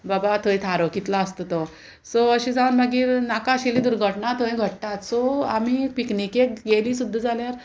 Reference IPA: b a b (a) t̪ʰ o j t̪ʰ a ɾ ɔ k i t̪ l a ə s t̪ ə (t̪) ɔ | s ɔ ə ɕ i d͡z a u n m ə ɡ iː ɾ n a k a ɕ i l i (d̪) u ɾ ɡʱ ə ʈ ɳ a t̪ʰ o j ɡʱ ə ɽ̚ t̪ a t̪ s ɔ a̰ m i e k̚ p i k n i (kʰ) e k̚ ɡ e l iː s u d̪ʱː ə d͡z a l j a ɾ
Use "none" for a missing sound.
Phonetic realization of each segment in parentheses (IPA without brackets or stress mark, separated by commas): a, t̪, d̪, k